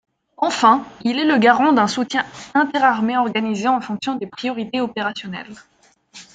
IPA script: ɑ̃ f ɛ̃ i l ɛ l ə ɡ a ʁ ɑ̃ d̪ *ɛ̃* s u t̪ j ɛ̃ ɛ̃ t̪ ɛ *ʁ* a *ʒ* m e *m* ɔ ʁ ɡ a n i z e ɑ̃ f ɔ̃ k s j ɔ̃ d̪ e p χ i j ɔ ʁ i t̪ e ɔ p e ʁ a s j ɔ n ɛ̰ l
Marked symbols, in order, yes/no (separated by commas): yes, yes, no, no